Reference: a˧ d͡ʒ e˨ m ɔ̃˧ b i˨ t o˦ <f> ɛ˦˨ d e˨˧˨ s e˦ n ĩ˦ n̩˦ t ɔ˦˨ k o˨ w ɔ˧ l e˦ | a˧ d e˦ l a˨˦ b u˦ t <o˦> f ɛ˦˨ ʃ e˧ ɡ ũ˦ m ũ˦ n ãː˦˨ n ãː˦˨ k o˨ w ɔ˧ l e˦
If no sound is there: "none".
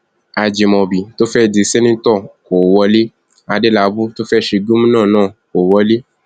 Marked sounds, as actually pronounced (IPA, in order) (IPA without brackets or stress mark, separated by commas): f, o˦